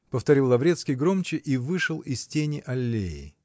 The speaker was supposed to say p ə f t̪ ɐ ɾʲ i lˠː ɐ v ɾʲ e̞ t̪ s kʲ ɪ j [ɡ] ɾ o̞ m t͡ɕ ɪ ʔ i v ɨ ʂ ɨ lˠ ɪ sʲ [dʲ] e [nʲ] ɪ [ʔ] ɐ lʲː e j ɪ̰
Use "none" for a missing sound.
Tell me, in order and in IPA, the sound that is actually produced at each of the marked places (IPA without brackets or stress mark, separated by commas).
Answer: ɡ, tʲ, nʲ, ʔ